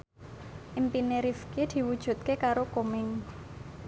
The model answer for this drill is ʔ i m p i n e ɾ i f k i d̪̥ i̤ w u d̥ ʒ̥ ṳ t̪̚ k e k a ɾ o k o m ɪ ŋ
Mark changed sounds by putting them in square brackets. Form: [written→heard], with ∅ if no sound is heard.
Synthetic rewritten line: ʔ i m p i n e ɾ i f k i d̪̥ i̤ w u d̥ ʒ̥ ṳ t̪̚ k e k a ɾ o k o m ɪ ŋ